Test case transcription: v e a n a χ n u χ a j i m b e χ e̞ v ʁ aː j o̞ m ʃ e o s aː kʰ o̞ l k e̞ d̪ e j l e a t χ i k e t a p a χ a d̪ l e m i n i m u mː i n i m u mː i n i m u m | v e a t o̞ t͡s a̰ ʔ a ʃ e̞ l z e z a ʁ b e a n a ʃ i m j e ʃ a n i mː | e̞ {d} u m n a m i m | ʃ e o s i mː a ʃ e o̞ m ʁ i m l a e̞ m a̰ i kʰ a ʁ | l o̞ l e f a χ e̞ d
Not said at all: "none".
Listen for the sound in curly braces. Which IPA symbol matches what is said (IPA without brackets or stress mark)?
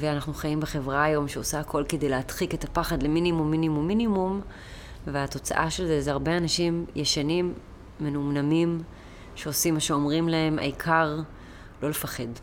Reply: n